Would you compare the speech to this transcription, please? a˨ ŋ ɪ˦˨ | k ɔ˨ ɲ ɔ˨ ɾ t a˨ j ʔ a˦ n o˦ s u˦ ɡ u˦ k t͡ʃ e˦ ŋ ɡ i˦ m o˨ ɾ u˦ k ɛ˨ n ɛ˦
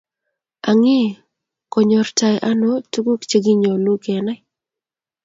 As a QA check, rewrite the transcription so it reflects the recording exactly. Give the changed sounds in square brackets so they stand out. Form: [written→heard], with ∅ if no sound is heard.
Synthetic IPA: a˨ ŋ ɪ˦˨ | k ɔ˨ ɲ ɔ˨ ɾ t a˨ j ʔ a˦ n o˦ [s→t] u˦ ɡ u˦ k t͡ʃ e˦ [ŋ→∅] ɡ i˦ [m→ɲ] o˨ [ɾ→l] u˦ k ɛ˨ n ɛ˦